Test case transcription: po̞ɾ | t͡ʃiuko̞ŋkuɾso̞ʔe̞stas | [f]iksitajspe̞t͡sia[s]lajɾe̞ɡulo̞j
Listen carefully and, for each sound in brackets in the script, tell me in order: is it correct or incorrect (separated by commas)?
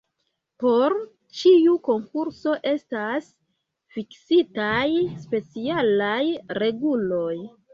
correct, incorrect